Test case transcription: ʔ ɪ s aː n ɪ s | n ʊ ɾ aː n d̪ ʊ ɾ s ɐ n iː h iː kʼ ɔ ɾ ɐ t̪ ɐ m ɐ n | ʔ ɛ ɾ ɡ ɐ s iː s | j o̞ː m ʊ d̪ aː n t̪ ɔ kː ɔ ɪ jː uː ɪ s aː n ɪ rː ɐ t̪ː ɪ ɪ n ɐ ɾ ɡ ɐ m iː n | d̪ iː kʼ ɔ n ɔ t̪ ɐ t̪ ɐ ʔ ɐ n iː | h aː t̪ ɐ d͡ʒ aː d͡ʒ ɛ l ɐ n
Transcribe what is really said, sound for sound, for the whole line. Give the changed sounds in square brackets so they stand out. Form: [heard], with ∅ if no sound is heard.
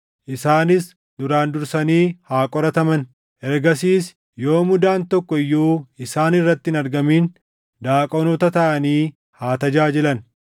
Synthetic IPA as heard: ʔ ɪ s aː n ɪ s | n ʊ ɾ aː n d̪ ʊ ɾ s ɐ n iː h [aː] kʼ ɔ ɾ ɐ t̪ ɐ m ɐ n | ʔ ɛ ɾ ɡ ɐ s iː s | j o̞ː m ʊ d̪ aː n t̪ ɔ kː ɔ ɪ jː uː ɪ s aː n ɪ rː ɐ t̪ː ɪ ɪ n ɐ ɾ ɡ ɐ m iː n | d̪ [aː] kʼ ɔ n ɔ t̪ ɐ t̪ ɐ ʔ ɐ n iː | h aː t̪ ɐ d͡ʒ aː d͡ʒ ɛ l ɐ n